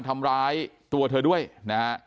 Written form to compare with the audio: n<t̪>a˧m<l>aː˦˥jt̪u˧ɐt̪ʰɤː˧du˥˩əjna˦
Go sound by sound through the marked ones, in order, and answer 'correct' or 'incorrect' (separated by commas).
incorrect, incorrect